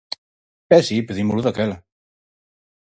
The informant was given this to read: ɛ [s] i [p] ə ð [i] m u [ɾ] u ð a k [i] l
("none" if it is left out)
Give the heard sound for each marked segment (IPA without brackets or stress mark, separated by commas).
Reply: s, p, i, l, ɛ